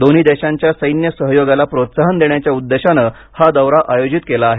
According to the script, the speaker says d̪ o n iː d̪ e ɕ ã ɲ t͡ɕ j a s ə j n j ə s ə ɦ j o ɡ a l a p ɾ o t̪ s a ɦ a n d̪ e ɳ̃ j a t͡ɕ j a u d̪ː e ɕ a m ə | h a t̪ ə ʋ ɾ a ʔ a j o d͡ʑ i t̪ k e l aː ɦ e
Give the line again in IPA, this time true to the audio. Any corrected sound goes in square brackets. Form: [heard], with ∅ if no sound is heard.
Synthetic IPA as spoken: d̪ o n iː d̪ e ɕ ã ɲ t͡ɕ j a s ə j n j ə s ə ɦ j o ɡ a l a p ɾ o t̪ s a ɦ [ə] n d̪ e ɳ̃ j a t͡ɕ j a u d̪ː e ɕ a [n] ə | h a [d̪] ə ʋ ɾ a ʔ a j o d͡ʑ i t̪ k e l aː ɦ e